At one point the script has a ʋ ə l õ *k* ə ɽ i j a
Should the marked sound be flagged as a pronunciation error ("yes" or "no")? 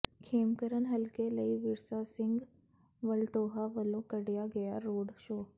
no